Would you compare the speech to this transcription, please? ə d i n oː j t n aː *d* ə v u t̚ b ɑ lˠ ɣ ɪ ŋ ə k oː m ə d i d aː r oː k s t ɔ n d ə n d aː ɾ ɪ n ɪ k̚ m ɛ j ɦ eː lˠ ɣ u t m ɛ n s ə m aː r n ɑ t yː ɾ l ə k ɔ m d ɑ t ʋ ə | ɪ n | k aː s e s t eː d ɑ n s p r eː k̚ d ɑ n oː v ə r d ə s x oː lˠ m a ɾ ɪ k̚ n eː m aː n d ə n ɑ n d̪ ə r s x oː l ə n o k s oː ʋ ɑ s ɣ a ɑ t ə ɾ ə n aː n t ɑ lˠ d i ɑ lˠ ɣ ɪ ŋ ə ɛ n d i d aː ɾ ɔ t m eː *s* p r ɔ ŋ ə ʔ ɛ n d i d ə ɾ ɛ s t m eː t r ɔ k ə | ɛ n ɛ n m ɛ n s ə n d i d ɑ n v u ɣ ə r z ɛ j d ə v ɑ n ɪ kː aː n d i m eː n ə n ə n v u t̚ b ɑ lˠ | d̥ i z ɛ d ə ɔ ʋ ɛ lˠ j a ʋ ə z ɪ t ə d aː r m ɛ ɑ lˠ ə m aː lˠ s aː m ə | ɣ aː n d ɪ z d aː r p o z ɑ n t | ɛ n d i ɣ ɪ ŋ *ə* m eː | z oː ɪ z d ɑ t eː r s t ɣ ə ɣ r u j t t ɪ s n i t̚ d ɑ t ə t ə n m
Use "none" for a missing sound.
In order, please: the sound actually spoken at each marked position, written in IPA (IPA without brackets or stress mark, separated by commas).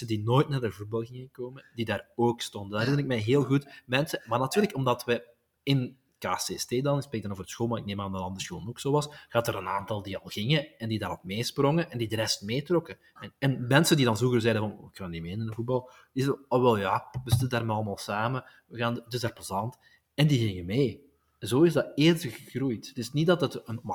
d, s, ə